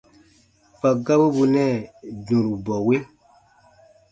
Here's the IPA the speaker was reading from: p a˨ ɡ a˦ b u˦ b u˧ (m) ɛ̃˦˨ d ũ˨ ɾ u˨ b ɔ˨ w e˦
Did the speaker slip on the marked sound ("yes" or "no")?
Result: yes